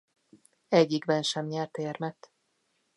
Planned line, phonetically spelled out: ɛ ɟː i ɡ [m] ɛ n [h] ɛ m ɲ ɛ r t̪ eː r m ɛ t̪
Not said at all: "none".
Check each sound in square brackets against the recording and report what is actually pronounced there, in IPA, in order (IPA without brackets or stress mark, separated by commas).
b, ʃ